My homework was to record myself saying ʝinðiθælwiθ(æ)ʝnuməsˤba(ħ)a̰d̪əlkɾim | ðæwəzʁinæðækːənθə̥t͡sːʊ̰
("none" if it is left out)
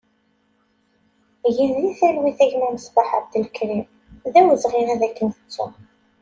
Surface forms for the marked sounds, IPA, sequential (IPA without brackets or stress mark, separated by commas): æ, ħ